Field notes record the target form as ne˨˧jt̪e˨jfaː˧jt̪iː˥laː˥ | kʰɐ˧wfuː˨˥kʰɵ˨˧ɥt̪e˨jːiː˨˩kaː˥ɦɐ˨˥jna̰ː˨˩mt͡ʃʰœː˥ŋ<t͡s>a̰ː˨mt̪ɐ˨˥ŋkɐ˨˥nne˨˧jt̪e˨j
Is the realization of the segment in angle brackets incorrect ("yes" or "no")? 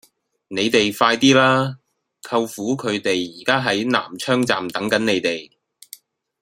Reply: no